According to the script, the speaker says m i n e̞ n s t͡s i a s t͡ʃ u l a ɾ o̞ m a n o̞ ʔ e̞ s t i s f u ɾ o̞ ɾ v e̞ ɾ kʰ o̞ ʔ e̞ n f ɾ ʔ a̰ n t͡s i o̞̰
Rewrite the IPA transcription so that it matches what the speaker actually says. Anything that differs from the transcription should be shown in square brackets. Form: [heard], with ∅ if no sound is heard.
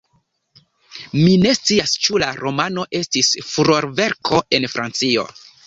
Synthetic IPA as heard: m i n e̞ [∅] s t͡s i a s t͡ʃ u l a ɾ o̞ m a n o̞ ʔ e̞ s t i s f u ɾ o̞ ɾ v e̞ ɾ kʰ o̞ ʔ e̞ n f ɾ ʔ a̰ n t͡s i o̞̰